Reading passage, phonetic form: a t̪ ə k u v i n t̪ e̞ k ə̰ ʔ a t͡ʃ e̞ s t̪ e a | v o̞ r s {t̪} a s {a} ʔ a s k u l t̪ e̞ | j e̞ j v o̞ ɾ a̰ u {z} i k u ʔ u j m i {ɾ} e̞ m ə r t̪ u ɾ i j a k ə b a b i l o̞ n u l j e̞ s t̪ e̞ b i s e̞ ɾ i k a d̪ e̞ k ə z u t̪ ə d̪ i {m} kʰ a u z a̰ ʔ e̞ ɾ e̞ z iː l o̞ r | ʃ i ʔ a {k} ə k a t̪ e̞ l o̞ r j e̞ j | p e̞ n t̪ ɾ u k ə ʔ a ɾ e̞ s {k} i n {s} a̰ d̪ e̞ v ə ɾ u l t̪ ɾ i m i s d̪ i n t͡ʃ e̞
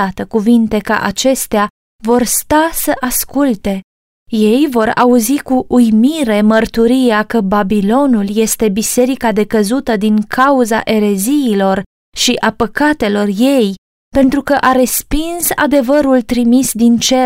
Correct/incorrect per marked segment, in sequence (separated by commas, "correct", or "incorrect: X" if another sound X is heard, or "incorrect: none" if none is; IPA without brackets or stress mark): correct, incorrect: ə, correct, correct, incorrect: ŋ, incorrect: p, incorrect: p, correct